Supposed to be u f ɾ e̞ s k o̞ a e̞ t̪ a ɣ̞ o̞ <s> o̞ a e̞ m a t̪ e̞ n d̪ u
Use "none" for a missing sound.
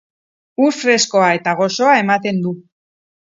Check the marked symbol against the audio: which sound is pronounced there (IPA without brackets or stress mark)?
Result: s